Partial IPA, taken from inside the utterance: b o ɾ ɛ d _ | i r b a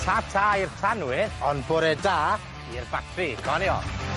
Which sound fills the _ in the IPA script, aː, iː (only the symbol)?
aː